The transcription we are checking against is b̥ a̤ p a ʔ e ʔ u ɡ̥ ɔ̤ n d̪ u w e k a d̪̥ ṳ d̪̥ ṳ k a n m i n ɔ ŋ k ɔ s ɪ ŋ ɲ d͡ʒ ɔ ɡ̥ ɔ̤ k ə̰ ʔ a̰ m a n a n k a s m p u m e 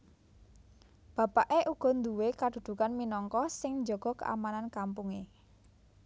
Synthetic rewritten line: b̥ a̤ p a ʔ e ʔ u ɡ̥ ɔ̤ n d̪ u w e k a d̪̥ ṳ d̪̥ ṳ k a n m i n ɔ ŋ k ɔ s ɪ ŋ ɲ d͡ʒ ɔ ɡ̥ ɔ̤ k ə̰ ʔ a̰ m a n a n k a m p u ŋ e